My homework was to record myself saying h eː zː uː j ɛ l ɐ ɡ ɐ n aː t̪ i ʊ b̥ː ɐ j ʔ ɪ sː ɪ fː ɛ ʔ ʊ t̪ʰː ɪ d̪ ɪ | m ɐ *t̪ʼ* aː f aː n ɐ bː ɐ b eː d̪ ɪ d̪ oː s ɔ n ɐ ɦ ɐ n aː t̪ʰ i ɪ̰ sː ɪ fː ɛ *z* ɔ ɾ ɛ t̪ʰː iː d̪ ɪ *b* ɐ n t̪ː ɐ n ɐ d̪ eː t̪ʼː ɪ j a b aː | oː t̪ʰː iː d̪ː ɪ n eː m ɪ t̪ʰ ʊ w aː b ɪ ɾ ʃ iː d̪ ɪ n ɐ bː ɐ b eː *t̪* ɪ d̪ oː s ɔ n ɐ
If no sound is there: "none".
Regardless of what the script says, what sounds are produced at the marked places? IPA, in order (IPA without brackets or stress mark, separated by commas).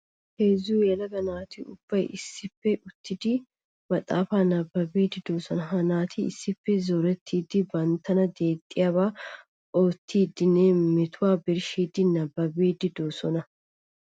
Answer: t̪ʼ, z, b, d̪